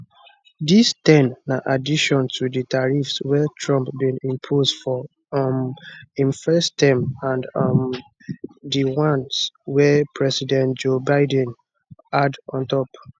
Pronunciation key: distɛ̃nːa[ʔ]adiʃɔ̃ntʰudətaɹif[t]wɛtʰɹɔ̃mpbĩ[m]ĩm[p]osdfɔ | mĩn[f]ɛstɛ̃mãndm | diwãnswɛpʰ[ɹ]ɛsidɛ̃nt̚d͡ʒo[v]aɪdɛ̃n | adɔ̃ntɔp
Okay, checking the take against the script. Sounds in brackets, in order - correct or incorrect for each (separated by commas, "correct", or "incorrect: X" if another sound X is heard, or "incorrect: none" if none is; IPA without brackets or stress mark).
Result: correct, incorrect: s, incorrect: n, incorrect: pʰ, correct, correct, incorrect: b